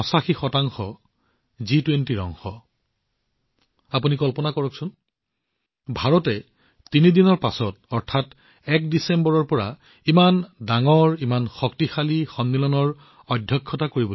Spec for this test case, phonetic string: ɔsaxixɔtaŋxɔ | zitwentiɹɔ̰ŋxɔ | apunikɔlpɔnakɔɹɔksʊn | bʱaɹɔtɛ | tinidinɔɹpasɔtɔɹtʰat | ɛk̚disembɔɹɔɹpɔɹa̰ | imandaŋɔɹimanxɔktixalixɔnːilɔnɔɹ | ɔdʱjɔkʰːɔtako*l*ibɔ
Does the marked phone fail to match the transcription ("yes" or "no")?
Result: yes